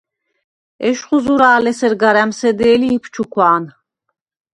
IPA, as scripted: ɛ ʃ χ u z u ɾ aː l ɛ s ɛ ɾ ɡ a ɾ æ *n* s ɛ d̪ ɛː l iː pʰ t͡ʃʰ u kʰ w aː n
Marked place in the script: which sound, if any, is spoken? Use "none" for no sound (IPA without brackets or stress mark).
m